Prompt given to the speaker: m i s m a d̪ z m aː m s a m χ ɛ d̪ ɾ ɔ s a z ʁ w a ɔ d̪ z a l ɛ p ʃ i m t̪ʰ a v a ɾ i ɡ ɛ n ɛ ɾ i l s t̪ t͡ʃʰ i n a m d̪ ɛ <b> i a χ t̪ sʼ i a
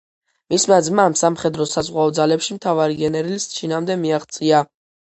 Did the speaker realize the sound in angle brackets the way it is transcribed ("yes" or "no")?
no